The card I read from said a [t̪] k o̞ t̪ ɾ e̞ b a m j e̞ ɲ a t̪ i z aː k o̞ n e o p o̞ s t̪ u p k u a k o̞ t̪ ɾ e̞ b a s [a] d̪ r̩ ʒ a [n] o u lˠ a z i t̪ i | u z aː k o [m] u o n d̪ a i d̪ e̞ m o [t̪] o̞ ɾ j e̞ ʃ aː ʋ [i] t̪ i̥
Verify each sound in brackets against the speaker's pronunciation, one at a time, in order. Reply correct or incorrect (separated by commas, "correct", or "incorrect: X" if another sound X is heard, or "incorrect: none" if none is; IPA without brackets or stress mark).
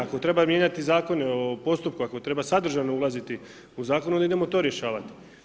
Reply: incorrect: none, correct, correct, incorrect: n, correct, incorrect: a